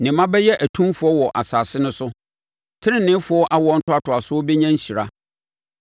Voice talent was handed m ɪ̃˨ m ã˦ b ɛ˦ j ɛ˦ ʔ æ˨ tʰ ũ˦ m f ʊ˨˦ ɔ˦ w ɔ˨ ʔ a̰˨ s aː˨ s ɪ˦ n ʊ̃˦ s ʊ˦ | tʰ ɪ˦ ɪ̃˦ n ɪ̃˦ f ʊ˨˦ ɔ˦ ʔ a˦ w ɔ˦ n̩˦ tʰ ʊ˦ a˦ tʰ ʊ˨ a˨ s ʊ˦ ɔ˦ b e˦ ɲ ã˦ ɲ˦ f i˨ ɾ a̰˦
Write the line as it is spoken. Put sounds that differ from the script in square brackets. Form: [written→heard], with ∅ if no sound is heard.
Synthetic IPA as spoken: [m→n] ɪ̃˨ m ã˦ b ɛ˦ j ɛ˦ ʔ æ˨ tʰ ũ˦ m f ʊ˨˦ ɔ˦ w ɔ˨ ʔ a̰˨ s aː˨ s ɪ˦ n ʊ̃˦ s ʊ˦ | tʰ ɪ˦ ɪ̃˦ n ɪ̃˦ f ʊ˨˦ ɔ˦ ʔ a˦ w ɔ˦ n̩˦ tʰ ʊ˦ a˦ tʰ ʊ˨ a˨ s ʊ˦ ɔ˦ b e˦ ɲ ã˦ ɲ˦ [f→ɕ] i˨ ɾ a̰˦

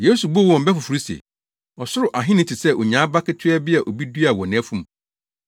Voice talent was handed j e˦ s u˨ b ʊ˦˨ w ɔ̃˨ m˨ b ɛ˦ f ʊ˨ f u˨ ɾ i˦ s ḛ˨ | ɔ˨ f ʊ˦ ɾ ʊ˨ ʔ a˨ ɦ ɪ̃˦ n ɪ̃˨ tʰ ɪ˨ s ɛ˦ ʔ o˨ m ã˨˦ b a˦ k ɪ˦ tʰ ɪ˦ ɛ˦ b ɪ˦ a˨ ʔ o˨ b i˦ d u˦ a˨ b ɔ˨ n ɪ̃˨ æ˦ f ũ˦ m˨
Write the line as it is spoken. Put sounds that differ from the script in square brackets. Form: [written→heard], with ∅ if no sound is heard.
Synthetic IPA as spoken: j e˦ s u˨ b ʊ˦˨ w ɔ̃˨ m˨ b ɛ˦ f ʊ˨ f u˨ ɾ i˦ s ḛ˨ | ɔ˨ [f→s] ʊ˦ ɾ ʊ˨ ʔ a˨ ɦ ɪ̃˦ n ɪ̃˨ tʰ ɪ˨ s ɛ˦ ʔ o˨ [m→ɲ] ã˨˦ b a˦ k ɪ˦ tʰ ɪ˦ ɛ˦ b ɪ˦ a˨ ʔ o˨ b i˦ d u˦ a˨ [b→w] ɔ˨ n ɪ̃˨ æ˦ f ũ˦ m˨

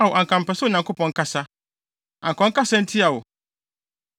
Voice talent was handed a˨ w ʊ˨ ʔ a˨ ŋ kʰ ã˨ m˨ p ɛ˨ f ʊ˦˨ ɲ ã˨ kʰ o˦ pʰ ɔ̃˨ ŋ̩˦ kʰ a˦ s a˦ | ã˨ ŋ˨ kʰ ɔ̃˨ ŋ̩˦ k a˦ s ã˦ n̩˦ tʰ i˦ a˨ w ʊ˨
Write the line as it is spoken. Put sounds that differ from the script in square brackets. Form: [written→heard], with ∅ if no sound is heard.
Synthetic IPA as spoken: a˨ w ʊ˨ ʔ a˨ ŋ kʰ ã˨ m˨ p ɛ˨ [f→s] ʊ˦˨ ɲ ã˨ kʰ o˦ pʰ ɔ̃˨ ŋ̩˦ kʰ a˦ s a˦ | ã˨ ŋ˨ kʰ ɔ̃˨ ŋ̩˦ k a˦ s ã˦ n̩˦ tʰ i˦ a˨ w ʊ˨

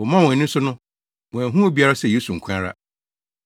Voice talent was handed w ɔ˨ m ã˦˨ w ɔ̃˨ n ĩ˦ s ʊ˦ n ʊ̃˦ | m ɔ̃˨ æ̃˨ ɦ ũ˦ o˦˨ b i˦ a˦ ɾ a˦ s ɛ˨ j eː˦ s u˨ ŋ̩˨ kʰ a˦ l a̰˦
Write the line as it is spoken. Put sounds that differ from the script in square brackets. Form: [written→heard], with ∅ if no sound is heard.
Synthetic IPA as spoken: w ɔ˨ m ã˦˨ w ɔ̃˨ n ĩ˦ s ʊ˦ n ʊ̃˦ | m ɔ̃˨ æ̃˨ ɦ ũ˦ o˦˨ b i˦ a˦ ɾ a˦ s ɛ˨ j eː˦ s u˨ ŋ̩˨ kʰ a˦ [l→ɾ] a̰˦

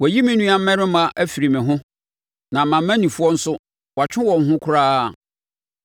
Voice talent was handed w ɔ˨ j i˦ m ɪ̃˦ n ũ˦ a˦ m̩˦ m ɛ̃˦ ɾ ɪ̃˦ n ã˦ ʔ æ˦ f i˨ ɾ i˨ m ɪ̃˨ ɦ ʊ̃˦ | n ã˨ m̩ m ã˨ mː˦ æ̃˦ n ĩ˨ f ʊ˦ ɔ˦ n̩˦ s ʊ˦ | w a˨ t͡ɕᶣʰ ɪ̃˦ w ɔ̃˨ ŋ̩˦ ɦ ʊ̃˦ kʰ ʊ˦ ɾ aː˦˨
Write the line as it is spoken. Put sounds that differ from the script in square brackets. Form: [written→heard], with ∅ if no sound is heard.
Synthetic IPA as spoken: w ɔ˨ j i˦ m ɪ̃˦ n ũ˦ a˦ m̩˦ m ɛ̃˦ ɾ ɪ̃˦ [n→m] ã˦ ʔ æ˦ f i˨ ɾ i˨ m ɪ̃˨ ɦ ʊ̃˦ | n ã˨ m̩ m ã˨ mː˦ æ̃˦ n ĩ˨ f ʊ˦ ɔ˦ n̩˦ s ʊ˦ | w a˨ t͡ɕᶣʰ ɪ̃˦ w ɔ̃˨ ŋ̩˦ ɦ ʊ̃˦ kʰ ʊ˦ ɾ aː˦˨

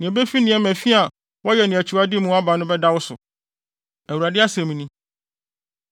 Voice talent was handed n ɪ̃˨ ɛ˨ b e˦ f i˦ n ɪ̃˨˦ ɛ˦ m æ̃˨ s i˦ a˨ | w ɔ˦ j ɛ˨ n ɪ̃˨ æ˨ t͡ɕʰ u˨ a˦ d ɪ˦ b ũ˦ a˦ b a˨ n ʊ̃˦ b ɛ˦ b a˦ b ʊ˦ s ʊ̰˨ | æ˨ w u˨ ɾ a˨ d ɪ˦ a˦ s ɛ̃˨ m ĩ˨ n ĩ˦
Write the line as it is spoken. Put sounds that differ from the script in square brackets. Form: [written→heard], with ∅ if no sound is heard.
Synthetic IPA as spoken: n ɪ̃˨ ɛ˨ b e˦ f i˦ n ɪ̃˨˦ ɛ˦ m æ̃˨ [s→f] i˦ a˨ | w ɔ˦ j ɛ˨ n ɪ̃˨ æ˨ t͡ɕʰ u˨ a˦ d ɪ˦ [b→m] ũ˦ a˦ b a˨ n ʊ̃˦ b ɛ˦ [b→d] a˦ [b→w] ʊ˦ s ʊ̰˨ | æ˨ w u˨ ɾ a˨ d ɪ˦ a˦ s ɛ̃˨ m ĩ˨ n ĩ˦

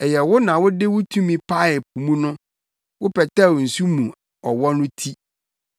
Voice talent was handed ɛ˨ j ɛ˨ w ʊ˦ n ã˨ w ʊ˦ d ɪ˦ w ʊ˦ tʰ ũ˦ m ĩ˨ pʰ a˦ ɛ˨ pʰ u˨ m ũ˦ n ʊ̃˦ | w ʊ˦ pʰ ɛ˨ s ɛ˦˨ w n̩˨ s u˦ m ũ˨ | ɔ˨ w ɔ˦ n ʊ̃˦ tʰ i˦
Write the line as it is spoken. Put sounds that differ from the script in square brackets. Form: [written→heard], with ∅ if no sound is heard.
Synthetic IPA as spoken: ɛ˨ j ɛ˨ w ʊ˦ n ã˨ w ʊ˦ d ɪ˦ w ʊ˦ tʰ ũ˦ m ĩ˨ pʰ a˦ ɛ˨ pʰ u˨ m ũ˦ n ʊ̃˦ | w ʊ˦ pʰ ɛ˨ [s→t] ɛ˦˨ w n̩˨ s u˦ m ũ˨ | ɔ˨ w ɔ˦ n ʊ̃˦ tʰ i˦

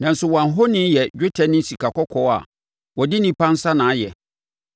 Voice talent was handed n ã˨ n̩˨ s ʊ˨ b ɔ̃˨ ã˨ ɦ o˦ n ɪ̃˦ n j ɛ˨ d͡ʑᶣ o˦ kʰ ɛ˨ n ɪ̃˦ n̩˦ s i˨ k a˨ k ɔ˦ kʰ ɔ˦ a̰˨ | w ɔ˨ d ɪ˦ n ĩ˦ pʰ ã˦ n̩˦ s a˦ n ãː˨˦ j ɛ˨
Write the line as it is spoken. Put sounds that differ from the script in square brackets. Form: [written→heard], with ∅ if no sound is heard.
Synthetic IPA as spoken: n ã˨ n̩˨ s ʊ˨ [b→w] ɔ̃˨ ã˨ ɦ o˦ n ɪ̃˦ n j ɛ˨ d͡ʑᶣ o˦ [kʰ→tʰ] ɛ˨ n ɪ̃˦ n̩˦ s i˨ k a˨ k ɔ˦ kʰ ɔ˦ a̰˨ | w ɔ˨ d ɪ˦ n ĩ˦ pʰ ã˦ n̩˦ s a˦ n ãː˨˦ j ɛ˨

